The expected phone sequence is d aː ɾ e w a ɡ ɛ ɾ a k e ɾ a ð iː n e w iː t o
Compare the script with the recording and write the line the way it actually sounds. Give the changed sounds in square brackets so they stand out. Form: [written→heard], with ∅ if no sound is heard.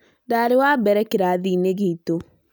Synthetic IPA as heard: d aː ɾ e w a [ɡ→b] ɛ ɾ [a→ɛ] k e ɾ a ð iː n e [w→ɣ] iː t o

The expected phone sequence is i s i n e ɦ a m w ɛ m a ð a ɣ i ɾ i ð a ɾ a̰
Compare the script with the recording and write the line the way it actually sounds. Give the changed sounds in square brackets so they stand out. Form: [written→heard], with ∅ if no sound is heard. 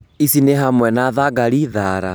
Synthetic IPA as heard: i s i n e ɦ a m w ɛ [m→n] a ð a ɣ [i→a] ɾ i ð a ɾ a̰

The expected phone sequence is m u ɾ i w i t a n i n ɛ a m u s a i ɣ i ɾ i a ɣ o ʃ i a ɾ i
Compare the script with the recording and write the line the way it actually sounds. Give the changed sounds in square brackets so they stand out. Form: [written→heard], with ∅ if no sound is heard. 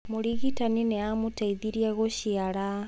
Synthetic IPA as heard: m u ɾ i [w→ɣ] i t a n i n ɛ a m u [s→t] a i [ɣ→ð] i ɾ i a ɣ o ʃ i a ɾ [i→a]

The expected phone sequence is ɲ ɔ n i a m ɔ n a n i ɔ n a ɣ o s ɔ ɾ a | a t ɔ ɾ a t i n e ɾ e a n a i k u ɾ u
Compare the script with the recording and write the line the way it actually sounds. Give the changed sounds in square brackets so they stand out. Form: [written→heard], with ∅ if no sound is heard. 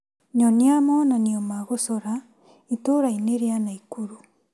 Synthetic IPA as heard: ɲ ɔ n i a m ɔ n a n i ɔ [n→m] a ɣ o s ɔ ɾ a | [a→i] t [ɔ→o] ɾ a [t→∅] i n e ɾ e a n a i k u ɾ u

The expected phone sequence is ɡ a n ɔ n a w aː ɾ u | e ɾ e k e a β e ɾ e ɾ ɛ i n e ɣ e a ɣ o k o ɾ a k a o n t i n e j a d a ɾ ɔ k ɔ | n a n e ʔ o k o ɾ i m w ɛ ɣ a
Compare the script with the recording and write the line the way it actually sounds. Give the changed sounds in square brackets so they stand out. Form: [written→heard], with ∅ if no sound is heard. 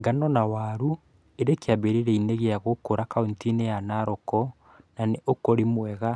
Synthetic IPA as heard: ɡ a n ɔ n a w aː ɾ u | e ɾ e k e a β e ɾ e ɾ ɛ i n e ɣ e a ɣ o k o ɾ a k a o n t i n e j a [d→n] a ɾ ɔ k ɔ | n a n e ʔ o k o ɾ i m w ɛ ɣ a

